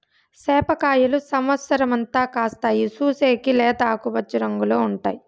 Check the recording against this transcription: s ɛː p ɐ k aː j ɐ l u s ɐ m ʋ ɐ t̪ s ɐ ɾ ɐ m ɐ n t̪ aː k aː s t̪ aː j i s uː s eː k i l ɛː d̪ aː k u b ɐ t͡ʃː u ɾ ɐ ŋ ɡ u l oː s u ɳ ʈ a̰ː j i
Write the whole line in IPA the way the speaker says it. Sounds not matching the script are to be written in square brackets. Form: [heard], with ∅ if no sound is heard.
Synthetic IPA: s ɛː p ɐ k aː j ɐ l u s ɐ m ʋ ɐ t̪ s ɐ ɾ ɐ m ɐ n t̪ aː k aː s t̪ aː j i s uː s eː k i l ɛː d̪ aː k u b ɐ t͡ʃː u ɾ ɐ ŋ ɡ u l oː [∅] u ɳ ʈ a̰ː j i